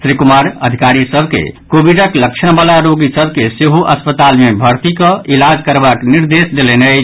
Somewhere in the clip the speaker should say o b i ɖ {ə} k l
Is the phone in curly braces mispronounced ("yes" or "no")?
no